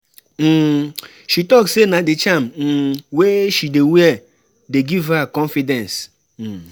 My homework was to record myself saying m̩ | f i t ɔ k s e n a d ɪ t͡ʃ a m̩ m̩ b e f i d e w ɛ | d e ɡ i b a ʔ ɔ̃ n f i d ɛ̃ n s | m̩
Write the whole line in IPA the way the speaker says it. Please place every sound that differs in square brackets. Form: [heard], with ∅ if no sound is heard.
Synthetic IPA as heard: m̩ | [ʃ] i t ɔ k s e n a d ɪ t͡ʃ a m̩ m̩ [w] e [ʃ] i d e w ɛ | d e ɡ i [v] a [k] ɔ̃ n f i d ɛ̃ n s | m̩